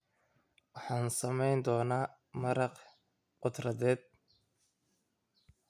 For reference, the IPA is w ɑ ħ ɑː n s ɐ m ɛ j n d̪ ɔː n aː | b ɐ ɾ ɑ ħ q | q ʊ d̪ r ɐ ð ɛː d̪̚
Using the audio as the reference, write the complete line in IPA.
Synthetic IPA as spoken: w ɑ ħ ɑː n s ɐ m ɛ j n d̪ ɔː n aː | m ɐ ɾ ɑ q | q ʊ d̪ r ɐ ð ɛː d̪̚